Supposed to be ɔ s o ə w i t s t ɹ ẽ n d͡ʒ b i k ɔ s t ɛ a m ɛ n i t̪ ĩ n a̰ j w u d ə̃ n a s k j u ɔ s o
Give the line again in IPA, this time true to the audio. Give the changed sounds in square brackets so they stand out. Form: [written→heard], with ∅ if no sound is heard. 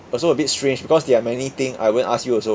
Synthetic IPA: ɔ s o ə [w→b] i t s t ɹ ẽ n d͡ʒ b i k ɔ s [t→d] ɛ a m ɛ n i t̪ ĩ [n→ŋ] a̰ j w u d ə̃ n a s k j u ɔ s o